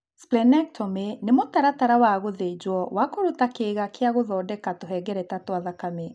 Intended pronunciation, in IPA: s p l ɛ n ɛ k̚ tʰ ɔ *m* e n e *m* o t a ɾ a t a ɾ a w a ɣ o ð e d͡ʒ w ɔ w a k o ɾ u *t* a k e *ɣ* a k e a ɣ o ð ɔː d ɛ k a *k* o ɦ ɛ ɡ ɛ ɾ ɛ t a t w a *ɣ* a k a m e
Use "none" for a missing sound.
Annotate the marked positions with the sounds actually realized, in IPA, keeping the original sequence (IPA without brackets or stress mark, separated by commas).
m, m, t, ɣ, t, ð